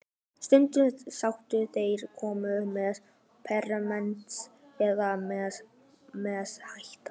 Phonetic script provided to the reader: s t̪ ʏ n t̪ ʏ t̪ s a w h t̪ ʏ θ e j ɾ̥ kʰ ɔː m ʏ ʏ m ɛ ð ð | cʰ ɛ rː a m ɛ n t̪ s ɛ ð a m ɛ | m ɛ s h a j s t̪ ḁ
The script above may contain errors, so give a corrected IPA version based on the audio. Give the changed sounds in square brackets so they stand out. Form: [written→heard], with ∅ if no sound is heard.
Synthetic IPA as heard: s t̪ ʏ n t̪ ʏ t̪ s a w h t̪ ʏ θ e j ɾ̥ kʰ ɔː m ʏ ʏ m ɛ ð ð | [cʰ→pʰ] ɛ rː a m ɛ n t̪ s ɛ ð a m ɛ | m ɛ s h a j [s→h] t̪ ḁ